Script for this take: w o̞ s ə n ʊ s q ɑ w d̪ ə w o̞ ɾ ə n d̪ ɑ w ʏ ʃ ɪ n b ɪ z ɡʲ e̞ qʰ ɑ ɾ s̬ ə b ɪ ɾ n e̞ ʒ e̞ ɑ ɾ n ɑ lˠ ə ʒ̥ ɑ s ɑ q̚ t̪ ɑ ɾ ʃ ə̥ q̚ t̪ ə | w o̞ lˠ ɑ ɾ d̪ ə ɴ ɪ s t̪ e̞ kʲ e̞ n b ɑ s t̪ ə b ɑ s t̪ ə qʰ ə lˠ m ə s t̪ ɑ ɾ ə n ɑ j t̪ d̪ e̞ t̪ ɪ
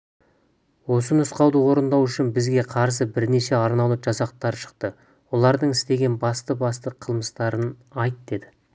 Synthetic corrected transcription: w o̞ s ə n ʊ s q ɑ w d̪ ə w o̞ ɾ ə n d̪ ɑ w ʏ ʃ ɪ n b ɪ z ɡʲ e̞ qʰ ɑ ɾ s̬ ə b ɪ ɾ n e̞ ʃ e̞ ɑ ɾ n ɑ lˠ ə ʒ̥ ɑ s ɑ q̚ t̪ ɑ ɾ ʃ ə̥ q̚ t̪ ə | w o̞ lˠ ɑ ɾ d̪ ə ɴ ɪ s t̪ e̞ ɡʲ e̞ n b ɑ s t̪ ə b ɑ s t̪ ə qʰ ə lˠ m ə s t̪ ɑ ɾ ə n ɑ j t̪ d̪ e̞ d̪ ɪ